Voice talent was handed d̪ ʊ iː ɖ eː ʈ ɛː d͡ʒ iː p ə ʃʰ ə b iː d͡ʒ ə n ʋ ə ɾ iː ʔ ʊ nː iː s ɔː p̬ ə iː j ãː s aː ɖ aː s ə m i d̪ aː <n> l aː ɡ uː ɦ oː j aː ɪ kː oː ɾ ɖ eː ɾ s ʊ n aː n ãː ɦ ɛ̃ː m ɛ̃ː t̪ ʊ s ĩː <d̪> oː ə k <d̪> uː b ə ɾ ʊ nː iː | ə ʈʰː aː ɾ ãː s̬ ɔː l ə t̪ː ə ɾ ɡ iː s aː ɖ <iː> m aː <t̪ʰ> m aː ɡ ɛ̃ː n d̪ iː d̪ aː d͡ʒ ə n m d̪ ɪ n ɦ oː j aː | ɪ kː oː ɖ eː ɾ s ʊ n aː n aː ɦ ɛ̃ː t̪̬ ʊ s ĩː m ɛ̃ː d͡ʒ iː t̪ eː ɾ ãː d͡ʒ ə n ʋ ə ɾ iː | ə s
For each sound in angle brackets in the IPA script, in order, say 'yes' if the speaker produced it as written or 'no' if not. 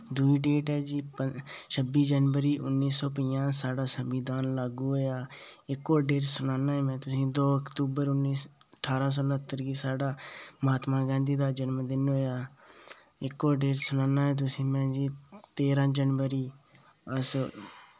yes, yes, no, no, no

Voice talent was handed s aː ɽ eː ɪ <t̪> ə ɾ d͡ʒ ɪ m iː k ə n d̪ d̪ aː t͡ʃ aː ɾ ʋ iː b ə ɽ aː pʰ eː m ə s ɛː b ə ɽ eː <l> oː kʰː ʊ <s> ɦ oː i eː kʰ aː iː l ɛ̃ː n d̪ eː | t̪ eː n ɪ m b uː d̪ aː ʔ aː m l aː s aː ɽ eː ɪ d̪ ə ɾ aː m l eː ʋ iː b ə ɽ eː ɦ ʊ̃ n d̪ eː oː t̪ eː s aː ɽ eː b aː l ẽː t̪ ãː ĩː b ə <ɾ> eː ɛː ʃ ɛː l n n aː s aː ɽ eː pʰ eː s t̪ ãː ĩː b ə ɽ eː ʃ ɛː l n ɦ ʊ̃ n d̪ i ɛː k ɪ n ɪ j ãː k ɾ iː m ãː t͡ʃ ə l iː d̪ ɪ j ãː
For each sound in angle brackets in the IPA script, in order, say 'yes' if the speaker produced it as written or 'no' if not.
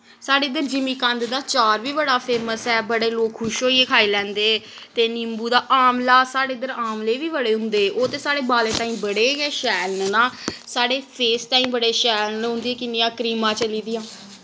no, yes, no, no

